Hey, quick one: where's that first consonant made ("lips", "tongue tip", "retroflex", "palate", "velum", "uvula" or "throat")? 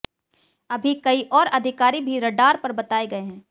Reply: lips